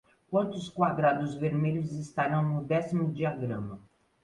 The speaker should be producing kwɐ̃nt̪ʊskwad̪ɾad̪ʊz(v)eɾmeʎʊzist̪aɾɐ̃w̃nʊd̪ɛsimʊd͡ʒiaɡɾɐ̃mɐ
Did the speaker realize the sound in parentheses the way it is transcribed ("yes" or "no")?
yes